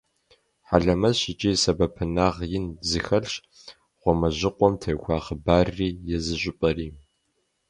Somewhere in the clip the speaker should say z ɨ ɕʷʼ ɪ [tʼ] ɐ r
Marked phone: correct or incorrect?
incorrect